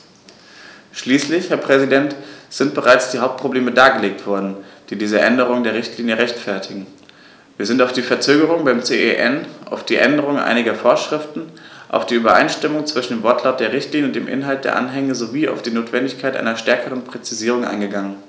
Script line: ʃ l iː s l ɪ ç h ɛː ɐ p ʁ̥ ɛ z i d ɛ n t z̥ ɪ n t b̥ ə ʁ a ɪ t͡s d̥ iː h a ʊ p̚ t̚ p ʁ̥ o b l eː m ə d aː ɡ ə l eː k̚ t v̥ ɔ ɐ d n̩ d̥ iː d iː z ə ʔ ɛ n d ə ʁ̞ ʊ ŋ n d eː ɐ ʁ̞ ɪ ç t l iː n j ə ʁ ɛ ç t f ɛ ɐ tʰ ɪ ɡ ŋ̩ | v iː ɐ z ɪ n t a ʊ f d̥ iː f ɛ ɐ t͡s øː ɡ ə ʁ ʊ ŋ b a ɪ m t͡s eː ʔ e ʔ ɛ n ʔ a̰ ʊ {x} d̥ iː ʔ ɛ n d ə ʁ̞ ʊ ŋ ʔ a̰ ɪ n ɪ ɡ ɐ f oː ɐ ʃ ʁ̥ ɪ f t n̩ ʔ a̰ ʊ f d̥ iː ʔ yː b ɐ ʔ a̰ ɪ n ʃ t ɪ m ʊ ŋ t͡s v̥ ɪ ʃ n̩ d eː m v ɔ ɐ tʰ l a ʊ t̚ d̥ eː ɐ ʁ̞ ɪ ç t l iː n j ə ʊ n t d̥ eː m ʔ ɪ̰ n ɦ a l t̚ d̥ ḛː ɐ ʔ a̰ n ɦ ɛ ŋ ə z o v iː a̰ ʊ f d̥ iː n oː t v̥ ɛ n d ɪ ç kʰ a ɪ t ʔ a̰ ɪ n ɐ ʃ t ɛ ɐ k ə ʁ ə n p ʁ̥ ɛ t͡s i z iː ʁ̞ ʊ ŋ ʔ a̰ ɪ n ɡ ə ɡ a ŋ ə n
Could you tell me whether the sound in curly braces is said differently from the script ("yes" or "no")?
yes